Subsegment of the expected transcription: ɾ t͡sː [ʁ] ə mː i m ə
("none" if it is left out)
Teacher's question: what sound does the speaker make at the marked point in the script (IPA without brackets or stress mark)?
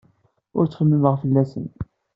χ